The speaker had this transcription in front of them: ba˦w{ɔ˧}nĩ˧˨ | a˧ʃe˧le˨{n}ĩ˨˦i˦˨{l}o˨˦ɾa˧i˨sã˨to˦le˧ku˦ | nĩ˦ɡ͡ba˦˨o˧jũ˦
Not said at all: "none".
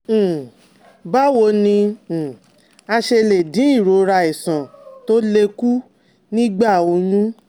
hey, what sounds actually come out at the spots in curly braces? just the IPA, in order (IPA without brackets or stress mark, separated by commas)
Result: o˧, d, ɾ